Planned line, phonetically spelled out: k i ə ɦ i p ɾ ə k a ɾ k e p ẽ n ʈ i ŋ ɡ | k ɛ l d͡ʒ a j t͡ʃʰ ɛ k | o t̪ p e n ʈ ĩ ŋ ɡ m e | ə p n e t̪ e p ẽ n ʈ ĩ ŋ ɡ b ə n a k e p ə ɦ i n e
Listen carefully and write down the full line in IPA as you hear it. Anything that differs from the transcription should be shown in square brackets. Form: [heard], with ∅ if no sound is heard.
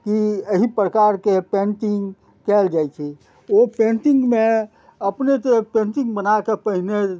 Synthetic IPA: k i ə ɦ i p ɾ ə k a ɾ k e p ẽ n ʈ i ŋ ɡ | k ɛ l d͡ʒ a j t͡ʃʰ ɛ [∅] | o [∅] p e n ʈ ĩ ŋ ɡ m e | ə p n e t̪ e p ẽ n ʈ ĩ ŋ ɡ b ə n a k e p ə ɦ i n e

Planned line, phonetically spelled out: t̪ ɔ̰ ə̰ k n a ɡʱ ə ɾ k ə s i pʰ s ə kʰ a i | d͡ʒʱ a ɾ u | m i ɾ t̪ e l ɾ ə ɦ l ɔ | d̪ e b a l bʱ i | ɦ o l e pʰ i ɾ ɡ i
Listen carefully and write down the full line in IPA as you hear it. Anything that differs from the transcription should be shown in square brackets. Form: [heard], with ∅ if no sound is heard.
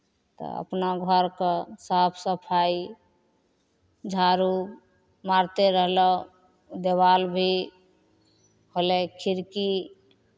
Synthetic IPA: t̪ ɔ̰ ə̰ [p] n a ɡʱ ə ɾ k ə s [a] pʰ s ə [pʰ] a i | d͡ʒʱ a ɾ u | m [a] ɾ t̪ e [∅] ɾ ə ɦ l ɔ | d̪ e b a l bʱ i | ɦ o l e [kʰ] i ɾ [k] i

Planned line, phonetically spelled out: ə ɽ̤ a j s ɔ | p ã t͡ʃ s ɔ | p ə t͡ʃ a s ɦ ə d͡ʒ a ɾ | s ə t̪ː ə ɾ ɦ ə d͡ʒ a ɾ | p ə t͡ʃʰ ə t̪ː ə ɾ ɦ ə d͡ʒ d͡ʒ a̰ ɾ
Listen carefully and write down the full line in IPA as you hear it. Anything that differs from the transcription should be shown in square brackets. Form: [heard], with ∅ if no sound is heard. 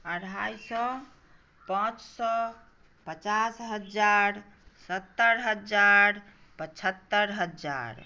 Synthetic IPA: ə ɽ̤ a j s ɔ | p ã t͡ʃ s ɔ | p ə t͡ʃ a s ɦ ə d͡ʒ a ɾ | s ə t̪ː ə ɾ ɦ ə d͡ʒ a ɾ | p ə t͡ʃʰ ə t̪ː ə ɾ ɦ ə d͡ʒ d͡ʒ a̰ ɾ

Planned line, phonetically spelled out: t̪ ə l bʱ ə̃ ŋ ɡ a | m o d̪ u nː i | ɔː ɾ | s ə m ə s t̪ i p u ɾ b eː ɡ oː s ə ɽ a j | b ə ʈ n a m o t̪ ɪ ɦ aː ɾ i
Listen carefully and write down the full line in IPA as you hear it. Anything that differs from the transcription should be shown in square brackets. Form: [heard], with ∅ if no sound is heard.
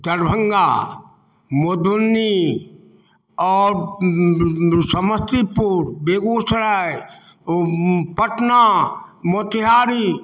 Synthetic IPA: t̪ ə [ɾ] bʱ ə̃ ŋ ɡ a | m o d̪ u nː i | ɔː ɾ | s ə m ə s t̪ i p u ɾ b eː ɡ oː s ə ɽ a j | [p] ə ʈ n a m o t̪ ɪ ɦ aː ɾ i

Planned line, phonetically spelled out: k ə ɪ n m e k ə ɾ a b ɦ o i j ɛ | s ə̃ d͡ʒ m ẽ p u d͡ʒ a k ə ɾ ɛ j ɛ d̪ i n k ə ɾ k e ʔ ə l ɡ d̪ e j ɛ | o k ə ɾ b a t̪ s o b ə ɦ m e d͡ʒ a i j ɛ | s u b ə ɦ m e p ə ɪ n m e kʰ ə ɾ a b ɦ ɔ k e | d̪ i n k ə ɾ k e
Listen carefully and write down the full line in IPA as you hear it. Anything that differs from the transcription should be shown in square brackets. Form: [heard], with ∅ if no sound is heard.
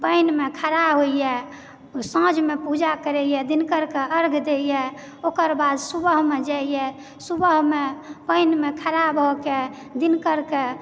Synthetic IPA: [p] ə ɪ n m e [kʰ] ə ɾ a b ɦ o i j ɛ | s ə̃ d͡ʒ m [e] p u d͡ʒ a k ə ɾ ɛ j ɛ d̪ i n k ə ɾ k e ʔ ə [ɾ] ɡ d̪ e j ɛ | o k ə ɾ b a [d̪] s [u] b ə ɦ m e d͡ʒ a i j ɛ | s u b ə ɦ m e p ə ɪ n m e kʰ ə ɾ a b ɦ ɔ k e | d̪ i n k ə ɾ k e

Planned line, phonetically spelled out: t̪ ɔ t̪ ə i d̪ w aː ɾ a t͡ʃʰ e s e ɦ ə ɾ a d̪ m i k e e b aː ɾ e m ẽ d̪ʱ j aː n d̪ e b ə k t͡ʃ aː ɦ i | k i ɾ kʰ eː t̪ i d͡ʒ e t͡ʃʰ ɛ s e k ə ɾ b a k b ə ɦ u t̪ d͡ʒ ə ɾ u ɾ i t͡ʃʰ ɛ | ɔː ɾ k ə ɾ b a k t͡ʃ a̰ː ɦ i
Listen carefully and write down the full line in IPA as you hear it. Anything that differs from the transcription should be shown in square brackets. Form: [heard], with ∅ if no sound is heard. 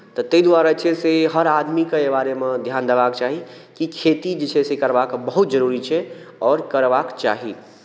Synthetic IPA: t̪ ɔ t̪ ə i d̪ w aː ɾ a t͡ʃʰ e s e ɦ ə ɾ a d̪ m i k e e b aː ɾ e m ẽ d̪ʱ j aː n d̪ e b [a] k t͡ʃ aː ɦ i | k i [∅] kʰ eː t̪ i d͡ʒ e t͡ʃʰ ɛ s e k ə ɾ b a k b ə ɦ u t̪ d͡ʒ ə ɾ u ɾ i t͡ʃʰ ɛ | ɔː ɾ k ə ɾ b a k t͡ʃ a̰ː ɦ i

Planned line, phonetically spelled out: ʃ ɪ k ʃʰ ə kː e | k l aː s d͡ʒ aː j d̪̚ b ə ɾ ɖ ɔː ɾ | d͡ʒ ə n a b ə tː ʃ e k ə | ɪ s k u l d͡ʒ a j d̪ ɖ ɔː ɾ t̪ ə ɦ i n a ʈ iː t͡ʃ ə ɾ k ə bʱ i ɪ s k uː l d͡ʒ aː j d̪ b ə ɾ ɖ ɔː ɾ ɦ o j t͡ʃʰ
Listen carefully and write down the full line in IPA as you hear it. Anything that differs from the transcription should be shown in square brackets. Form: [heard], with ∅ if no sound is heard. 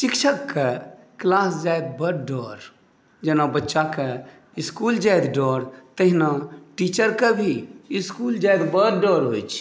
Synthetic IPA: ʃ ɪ k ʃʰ ə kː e | k l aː s d͡ʒ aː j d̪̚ b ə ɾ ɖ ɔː ɾ | d͡ʒ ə n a b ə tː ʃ [a] k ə | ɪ s k u l d͡ʒ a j d̪ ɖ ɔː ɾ t̪ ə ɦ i n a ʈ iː t͡ʃ ə ɾ k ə bʱ i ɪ s k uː l d͡ʒ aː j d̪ b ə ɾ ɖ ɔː ɾ ɦ o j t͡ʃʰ

